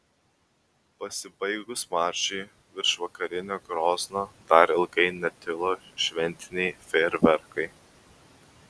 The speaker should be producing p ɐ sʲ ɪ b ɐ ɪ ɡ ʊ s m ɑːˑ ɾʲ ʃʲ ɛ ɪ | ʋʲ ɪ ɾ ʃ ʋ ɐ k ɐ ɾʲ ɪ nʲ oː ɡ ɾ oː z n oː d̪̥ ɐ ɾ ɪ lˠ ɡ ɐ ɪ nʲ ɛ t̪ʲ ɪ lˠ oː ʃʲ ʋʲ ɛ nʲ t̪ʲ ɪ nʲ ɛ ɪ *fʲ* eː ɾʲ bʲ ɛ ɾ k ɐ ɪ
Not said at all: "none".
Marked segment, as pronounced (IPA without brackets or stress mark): fʲ